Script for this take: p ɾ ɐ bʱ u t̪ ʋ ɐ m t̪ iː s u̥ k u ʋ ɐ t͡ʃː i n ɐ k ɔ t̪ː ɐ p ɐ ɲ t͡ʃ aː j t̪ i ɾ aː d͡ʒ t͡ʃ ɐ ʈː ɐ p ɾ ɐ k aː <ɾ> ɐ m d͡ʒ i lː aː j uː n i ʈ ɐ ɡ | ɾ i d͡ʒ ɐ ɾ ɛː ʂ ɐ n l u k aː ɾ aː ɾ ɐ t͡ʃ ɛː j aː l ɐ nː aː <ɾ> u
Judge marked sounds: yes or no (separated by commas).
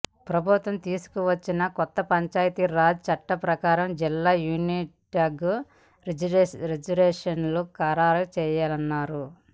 yes, yes